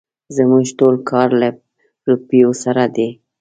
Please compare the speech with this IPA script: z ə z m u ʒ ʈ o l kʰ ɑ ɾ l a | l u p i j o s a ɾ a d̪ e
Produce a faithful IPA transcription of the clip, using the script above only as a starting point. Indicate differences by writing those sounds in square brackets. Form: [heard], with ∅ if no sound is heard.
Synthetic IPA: z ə [∅] m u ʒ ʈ o l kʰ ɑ ɾ l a | [ɾ] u p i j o s a ɾ a d̪ e